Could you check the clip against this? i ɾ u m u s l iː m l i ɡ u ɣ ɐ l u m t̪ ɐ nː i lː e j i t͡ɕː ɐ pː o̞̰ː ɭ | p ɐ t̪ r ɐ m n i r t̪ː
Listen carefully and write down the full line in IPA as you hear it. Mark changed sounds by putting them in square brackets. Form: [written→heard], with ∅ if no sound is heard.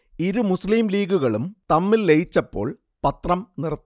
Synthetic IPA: i ɾ u m u s l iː m l [i→iː] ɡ u ɣ ɐ [l→ɭ] u m t̪ ɐ [nː→mː] i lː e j i t͡ɕː ɐ pː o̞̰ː ɭ | p ɐ t̪ r ɐ m n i r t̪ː